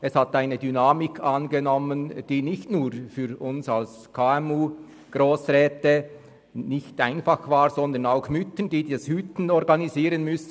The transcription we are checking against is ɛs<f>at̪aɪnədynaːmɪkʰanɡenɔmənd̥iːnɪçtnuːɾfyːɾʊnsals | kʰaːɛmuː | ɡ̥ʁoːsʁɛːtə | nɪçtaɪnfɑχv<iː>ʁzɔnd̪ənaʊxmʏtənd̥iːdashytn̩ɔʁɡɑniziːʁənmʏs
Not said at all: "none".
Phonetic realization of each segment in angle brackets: h, aː

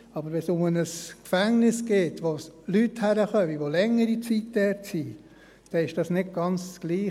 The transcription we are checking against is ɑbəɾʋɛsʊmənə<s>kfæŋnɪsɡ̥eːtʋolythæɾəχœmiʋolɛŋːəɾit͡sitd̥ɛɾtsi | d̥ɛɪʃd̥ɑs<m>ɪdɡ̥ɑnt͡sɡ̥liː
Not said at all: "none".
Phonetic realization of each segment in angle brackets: s, n

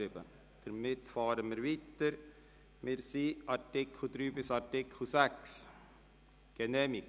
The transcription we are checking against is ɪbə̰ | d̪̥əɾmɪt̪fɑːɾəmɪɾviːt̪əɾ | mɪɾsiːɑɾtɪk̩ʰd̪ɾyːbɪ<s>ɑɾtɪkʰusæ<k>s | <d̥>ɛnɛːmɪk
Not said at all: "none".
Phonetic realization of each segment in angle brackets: s, k, ɡ̥

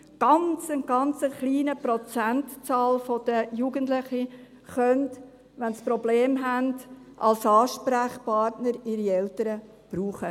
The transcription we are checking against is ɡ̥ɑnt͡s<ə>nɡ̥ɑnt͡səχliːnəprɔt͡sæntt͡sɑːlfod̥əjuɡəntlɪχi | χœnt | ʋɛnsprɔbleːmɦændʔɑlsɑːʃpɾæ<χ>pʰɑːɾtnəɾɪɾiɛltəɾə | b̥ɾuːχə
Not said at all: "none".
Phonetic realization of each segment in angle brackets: ə, χ

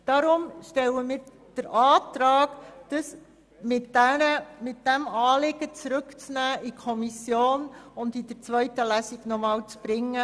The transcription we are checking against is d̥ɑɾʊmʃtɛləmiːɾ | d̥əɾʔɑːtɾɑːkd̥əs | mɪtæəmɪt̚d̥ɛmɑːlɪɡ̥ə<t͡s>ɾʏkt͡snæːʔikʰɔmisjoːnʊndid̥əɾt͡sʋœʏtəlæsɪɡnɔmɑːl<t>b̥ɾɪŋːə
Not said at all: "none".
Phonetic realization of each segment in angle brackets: t͡s, t͡s

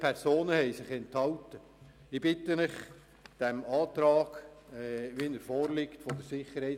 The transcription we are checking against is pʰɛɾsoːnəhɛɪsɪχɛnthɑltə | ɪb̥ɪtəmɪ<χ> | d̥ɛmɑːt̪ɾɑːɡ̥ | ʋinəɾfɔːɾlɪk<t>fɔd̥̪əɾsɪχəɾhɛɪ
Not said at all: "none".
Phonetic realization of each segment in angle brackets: χ, t

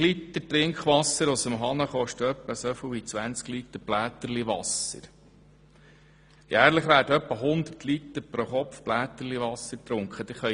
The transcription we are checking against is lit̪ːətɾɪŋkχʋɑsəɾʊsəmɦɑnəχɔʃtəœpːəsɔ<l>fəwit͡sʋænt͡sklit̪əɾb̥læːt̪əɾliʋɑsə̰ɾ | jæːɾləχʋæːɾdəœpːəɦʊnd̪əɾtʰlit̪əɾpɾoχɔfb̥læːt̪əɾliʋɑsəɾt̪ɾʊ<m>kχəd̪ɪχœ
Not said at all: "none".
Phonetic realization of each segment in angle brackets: none, ŋ

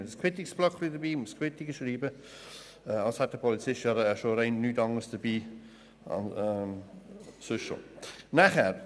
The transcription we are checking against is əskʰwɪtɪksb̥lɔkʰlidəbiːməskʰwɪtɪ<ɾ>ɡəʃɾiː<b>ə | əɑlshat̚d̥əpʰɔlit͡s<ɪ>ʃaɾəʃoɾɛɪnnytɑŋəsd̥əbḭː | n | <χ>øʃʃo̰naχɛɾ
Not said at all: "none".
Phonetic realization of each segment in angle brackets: none, b, ɪ, s

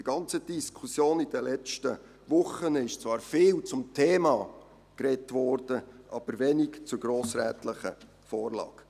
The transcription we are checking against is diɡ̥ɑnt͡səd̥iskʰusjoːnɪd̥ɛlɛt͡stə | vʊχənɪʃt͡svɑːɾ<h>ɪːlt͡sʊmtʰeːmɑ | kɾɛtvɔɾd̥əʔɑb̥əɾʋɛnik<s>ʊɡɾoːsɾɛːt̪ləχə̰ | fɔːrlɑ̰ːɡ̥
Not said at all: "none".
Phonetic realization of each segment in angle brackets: f, t͡s

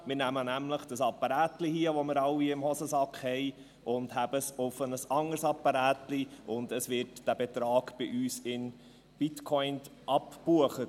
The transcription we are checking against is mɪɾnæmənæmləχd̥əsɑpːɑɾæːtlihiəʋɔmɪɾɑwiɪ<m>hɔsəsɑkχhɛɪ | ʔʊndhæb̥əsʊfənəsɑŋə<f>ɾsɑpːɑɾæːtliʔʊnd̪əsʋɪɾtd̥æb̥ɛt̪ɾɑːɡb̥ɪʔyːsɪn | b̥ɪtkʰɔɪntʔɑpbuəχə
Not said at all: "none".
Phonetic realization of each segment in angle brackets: m, none

